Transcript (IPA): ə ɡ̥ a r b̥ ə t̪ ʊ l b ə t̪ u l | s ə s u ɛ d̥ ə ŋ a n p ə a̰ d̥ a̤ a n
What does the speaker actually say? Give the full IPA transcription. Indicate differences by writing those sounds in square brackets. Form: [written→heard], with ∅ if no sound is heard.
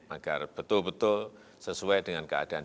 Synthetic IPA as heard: [ə→a] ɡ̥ a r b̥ ə t̪ ʊ l b ə t̪ [u→ʊ] l | s ə s u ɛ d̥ ə ŋ a n [p→k] ə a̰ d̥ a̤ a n